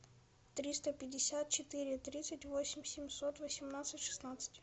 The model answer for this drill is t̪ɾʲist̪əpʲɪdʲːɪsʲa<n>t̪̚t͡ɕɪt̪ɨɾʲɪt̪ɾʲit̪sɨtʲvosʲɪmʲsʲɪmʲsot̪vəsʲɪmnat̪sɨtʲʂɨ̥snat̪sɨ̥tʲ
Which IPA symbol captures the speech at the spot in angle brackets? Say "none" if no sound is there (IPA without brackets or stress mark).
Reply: none